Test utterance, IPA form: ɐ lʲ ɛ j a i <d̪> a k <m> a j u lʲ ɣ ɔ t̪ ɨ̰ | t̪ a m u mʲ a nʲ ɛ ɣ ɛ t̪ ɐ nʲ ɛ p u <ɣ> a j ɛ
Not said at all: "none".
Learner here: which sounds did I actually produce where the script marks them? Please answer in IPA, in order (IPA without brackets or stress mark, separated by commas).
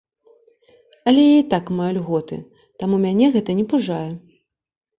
t̪, m, ʐ